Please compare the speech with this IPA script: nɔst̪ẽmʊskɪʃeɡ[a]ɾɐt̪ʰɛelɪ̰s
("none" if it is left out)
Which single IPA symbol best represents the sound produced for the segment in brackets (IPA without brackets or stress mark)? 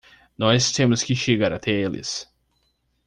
a